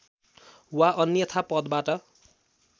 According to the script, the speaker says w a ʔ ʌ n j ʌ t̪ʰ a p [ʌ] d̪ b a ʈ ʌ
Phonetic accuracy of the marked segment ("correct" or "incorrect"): correct